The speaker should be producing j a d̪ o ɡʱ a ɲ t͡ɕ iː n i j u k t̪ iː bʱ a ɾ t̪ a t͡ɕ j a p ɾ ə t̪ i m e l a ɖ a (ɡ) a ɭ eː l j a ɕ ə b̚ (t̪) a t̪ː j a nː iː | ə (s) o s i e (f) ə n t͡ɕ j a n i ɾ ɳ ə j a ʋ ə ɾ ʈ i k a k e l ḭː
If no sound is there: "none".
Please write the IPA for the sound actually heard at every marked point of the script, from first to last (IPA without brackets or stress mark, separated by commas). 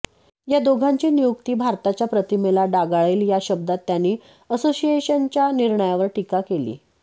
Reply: ɡ, d̪, s, ɕ